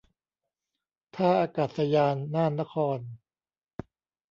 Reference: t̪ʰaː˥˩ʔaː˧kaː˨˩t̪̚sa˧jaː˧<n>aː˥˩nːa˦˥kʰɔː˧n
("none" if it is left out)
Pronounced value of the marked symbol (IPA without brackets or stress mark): nː